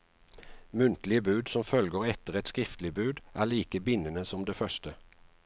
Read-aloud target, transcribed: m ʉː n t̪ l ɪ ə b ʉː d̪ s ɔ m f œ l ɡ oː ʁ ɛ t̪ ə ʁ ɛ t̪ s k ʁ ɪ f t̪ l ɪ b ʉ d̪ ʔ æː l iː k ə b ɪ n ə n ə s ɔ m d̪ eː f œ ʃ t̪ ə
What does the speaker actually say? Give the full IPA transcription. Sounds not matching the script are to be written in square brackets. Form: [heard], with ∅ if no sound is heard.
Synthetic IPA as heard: m [ʉ] n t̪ l ɪ ə b ʉː d̪ s ɔ m f œ l ɡ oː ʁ ɛ t̪ ə ʁ ɛ t̪ s k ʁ ɪ f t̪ l ɪ b [ʉː] d̪ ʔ æː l iː k ə b ɪ n ə n ə s ɔ m d̪ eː f œ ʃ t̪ ə